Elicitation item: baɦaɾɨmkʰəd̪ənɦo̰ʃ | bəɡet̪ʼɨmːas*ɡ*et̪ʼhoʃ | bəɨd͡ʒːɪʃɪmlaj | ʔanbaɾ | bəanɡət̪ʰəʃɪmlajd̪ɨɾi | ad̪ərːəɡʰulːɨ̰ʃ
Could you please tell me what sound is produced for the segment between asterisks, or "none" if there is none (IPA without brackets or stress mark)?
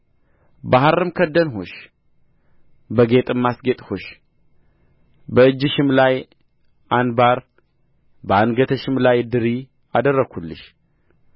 ɡ